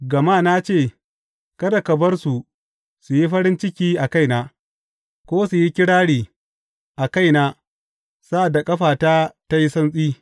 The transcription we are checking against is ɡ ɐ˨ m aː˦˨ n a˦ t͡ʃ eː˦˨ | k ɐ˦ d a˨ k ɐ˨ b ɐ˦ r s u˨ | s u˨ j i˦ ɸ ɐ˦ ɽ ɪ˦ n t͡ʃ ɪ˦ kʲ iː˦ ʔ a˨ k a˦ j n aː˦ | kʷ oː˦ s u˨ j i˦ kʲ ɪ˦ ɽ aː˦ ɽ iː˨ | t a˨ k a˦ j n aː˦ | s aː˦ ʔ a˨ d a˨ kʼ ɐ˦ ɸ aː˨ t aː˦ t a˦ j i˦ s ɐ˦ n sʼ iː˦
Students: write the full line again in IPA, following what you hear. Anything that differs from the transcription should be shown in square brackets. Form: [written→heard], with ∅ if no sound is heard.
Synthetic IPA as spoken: ɡ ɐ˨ m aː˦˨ n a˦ t͡ʃ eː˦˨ | k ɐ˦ d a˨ k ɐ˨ b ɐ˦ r s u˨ | s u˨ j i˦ ɸ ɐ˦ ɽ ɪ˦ n t͡ʃ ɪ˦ kʲ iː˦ ʔ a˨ k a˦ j n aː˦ | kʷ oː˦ s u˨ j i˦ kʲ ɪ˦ ɽ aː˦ ɽ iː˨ | [t→ʔ] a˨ k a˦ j n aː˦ | s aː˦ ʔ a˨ d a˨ kʼ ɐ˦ ɸ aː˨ t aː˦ t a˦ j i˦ s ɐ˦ n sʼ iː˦